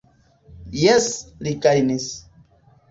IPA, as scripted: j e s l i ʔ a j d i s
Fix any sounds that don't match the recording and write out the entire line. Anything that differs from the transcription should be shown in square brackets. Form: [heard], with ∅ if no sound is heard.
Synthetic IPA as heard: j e s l i [k] a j [n] i s